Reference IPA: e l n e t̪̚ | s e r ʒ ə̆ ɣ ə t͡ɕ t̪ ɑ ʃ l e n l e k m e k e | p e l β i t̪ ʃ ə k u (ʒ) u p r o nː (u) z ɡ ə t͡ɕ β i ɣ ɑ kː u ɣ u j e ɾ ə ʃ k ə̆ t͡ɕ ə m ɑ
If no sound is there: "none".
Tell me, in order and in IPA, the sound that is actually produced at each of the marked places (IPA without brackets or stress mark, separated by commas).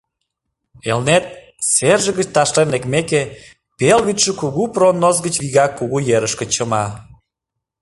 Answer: ɣ, o